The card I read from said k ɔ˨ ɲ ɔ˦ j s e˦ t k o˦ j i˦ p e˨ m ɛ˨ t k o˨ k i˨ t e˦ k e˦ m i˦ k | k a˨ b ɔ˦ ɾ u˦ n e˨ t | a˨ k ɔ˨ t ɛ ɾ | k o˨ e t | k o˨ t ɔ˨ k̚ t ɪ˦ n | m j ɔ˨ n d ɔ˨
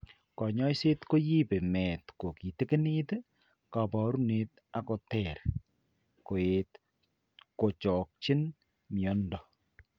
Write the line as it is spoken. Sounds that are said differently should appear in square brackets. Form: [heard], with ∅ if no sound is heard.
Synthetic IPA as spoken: k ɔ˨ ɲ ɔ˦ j s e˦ t k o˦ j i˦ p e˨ m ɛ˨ t k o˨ k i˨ t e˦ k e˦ [n] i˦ [t] | k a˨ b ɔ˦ ɾ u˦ n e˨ t | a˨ k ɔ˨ t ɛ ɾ | k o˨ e t | k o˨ [t͡ʃ] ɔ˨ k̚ [t͡ʃ] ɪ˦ n | m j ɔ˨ n d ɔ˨